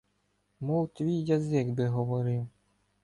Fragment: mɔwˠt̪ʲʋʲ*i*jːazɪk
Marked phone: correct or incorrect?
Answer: correct